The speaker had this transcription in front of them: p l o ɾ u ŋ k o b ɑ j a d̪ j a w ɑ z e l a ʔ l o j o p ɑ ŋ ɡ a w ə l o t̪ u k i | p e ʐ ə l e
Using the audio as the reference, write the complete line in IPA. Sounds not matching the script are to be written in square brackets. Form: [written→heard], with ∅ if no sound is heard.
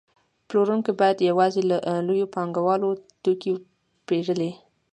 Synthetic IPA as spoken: p l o ɾ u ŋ k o b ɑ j a d̪ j a w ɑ z e l a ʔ l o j o p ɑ ŋ ɡ a w [ə→ɑ] l o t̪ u k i | p e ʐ ə l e